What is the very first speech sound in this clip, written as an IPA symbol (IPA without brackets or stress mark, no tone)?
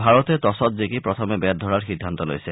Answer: bʱ